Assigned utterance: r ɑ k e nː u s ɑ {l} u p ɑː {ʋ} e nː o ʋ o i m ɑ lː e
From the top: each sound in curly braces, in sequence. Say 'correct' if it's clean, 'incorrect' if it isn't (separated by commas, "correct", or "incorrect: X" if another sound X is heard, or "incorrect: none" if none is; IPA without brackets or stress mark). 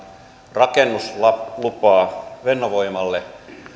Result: correct, correct